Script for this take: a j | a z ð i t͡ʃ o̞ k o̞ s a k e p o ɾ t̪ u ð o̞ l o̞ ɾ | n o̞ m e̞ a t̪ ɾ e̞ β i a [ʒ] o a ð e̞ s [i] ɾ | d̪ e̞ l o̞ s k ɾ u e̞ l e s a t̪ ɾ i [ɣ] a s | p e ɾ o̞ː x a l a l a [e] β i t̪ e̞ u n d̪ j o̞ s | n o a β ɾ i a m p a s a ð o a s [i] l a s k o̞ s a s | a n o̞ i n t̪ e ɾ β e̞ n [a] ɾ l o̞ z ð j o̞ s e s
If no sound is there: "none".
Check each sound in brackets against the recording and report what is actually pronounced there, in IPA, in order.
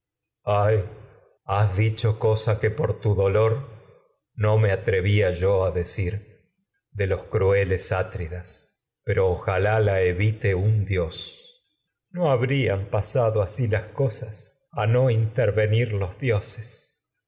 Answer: ʒ, i, ð, e, i, i

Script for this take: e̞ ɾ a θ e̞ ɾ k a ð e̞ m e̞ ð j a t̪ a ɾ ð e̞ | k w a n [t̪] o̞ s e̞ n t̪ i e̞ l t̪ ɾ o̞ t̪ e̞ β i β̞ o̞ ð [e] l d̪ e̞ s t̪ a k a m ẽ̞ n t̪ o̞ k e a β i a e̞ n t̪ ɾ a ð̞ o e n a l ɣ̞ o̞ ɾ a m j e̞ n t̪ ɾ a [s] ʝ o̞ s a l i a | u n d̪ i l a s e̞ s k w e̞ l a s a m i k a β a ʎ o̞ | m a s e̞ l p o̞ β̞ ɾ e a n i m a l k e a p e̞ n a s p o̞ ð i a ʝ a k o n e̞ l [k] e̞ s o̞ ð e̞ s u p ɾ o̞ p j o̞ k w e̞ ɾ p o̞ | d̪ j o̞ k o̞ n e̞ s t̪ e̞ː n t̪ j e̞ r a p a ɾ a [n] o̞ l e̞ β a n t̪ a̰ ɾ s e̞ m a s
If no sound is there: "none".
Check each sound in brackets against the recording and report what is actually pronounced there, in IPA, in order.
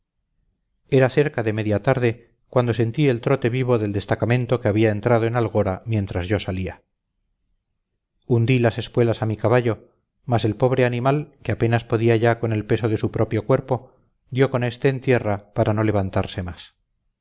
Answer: d̪, e, z, p, n

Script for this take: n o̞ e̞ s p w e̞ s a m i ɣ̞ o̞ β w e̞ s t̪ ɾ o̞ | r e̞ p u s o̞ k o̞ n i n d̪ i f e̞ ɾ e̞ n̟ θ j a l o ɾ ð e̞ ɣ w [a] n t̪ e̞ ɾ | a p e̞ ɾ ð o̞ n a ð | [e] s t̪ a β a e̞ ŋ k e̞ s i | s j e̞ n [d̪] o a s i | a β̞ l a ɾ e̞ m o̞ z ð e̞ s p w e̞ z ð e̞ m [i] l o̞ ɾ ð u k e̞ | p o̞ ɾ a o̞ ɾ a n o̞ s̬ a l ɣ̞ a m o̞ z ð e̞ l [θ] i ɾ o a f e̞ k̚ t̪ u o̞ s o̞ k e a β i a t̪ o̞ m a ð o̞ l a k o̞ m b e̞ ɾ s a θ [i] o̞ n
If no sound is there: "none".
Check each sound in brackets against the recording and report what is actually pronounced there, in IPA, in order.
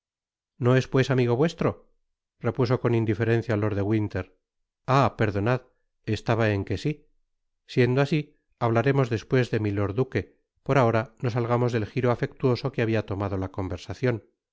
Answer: i, e, d̪, i, x, j

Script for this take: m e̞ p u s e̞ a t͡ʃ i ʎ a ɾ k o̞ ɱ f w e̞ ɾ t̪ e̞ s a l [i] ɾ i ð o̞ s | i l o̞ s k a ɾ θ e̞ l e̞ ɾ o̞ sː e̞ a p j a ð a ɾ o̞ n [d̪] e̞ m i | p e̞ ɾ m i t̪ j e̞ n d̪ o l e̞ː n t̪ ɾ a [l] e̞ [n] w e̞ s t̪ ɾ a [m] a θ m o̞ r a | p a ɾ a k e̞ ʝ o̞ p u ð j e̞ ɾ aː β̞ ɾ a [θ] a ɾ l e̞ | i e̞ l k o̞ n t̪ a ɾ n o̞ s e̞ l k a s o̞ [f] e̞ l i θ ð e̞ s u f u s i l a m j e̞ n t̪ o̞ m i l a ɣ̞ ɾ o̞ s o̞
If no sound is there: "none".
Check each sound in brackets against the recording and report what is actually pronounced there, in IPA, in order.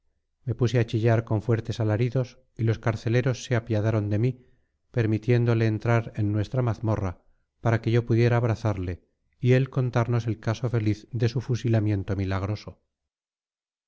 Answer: a, d̪, ɾ, nː, m, θ, f

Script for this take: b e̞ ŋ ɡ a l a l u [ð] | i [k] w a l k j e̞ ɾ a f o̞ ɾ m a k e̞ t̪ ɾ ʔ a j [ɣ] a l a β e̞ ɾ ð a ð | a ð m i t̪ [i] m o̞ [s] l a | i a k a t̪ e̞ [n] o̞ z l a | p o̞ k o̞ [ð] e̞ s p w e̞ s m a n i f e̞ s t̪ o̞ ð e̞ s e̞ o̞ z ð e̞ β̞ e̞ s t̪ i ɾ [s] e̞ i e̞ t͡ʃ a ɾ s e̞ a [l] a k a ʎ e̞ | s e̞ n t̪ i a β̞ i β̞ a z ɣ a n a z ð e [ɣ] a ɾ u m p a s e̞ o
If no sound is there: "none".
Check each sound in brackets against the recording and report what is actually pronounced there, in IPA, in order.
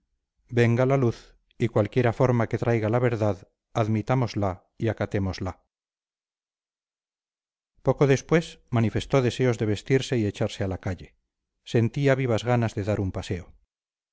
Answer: θ, k, ɣ, a, z, m, ð, s, l, ð

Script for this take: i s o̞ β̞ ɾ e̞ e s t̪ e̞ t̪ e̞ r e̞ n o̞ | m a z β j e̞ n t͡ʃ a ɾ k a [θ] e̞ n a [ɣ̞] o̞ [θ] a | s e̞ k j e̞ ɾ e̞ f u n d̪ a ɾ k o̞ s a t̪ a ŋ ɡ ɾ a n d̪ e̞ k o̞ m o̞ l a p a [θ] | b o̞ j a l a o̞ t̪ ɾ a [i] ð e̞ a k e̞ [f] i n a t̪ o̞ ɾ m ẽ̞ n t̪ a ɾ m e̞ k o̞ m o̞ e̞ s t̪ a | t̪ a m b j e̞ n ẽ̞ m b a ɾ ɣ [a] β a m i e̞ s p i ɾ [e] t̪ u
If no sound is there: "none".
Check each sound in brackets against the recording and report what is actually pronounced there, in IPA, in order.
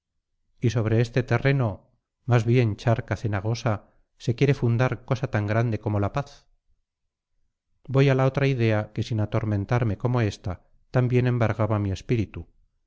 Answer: θ, ɣ̞, s, θ, i, s, a, i

